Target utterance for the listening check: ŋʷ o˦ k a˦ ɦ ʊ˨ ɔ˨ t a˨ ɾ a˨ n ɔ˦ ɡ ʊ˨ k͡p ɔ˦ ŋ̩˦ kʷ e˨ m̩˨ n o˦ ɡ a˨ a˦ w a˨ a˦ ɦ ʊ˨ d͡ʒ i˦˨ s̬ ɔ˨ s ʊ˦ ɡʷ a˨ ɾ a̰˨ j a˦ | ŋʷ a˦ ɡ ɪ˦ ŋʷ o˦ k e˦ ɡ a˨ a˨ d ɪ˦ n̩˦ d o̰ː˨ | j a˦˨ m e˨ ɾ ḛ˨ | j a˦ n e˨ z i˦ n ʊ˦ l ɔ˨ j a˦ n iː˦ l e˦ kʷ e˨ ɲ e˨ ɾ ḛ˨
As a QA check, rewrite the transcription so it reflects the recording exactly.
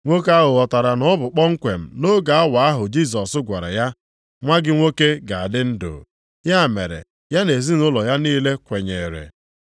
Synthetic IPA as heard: ŋʷ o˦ k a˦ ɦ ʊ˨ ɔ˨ t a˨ ɾ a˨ n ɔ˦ b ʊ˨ k͡p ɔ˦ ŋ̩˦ kʷ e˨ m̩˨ n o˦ ɡ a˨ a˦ w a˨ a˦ ɦ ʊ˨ d͡ʒ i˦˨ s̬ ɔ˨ s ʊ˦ ɡʷ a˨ ɾ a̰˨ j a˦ | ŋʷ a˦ ɡ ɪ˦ ŋʷ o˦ k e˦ ɡ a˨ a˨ d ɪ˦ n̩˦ d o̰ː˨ | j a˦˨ m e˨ ɾ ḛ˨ | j a˦ n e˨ z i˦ n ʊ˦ l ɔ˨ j a˦ n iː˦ l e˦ kʷ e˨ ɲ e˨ ɾ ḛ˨